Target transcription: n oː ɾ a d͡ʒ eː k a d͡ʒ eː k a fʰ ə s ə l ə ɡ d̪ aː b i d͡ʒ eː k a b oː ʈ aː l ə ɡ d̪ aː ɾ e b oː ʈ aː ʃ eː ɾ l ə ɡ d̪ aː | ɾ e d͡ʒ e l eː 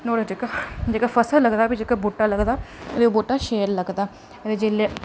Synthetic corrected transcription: n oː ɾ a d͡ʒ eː k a d͡ʒ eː k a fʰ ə s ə l ə ɡ d̪ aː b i d͡ʒ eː k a b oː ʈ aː l ə ɡ d̪ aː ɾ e b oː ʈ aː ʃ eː ɾ l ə ɡ d̪ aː | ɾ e d͡ʒ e l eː